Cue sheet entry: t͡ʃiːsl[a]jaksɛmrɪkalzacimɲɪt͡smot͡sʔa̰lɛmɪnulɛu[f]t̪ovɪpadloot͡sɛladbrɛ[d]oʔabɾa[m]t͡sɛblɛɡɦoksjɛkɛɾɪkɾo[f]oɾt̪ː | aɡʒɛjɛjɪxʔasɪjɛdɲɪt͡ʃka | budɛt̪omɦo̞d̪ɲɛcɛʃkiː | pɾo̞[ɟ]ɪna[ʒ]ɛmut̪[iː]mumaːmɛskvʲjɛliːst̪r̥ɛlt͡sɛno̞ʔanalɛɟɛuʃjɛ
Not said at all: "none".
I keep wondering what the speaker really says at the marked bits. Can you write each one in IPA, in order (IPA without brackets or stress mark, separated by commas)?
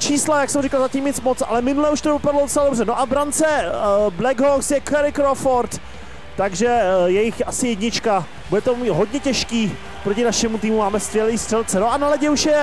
a, ʃ, n, n, f, c, ʃ, iː